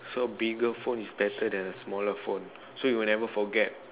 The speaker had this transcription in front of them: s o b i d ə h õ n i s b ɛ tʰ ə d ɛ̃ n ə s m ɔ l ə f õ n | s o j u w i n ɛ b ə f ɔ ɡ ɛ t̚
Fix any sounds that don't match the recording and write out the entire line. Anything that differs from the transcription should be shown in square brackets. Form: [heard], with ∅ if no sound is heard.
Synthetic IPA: s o b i [ɡ] ə [f] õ n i s b ɛ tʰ ə d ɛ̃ n ə s m ɔ l ə f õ n | s o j u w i n ɛ [v] ə f ɔ ɡ ɛ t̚